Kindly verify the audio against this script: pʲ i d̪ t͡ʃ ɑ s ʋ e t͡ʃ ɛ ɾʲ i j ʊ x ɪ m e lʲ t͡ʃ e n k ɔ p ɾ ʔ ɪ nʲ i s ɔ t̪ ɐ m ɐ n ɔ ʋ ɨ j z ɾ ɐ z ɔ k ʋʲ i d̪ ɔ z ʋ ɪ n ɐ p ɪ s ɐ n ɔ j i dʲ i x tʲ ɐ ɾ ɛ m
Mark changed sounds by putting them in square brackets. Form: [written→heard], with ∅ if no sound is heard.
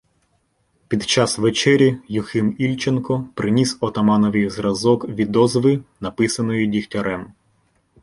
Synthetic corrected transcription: pʲ i d̪ t͡ʃ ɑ s ʋ e t͡ʃ ɛ ɾʲ i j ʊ x ɪ m [e→i] lʲ t͡ʃ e n k ɔ p ɾ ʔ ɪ nʲ i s ɔ t̪ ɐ m [ɐ→ɑ] n ɔ ʋ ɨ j z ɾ ɐ z ɔ k ʋʲ i d̪ ɔ z ʋ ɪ n ɐ p ɪ s ɐ n ɔ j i dʲ i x tʲ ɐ ɾ ɛ m